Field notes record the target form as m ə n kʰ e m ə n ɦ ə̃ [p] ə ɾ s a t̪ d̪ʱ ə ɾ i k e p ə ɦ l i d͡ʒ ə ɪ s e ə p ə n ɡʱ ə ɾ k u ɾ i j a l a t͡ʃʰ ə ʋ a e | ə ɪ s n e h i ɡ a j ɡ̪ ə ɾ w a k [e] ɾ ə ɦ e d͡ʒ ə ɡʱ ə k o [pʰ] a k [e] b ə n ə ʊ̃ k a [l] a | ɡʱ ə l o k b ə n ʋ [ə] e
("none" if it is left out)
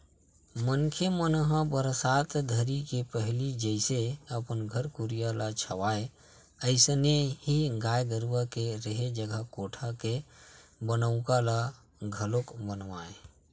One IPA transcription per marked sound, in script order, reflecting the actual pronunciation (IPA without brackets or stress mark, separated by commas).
b, e, ʈʰ, e, l, a